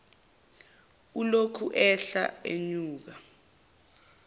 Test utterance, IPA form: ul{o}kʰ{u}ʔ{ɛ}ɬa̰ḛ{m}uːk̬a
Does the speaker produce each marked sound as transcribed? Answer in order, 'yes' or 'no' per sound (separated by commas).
yes, yes, yes, no